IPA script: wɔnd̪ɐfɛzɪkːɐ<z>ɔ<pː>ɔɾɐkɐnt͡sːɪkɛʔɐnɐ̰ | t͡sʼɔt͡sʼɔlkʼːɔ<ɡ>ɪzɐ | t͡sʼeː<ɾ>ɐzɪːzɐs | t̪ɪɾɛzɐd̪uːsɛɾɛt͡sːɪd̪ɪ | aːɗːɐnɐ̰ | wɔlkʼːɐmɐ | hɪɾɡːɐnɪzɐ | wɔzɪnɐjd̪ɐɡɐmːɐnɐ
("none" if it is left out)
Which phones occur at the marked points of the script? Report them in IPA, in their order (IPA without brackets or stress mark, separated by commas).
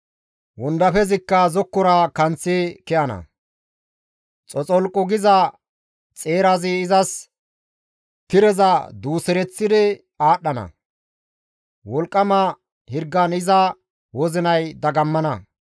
z, kː, ɡ, ɾ